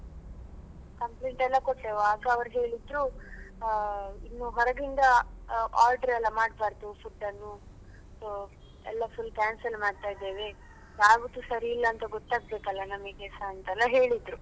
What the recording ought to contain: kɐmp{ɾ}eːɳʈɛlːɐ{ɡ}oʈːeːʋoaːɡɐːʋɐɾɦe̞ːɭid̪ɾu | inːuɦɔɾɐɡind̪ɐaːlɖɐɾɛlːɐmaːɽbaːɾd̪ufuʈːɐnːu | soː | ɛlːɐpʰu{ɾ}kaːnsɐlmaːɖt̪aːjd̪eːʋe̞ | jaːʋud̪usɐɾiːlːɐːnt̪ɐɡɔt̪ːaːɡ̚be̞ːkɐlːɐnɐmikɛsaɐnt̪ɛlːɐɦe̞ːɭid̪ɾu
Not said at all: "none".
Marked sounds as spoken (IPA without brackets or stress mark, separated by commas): l, k, l